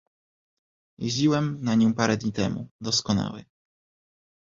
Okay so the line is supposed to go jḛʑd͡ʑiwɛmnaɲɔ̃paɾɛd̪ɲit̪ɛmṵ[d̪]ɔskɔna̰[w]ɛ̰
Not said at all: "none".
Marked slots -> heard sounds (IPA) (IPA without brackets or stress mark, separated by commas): d̪, w